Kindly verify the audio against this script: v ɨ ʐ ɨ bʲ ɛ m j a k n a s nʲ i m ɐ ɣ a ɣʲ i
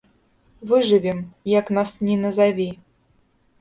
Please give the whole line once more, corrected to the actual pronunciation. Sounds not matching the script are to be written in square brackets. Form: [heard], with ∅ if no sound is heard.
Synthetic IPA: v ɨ ʐ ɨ [vʲ] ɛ m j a k n a s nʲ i [n] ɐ [z] a [vʲ] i